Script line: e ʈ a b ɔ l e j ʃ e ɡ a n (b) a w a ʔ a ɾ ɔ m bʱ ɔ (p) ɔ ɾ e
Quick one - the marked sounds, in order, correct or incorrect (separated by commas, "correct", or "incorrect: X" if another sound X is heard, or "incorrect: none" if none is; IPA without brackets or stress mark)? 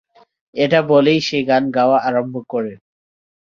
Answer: incorrect: ɡ, incorrect: k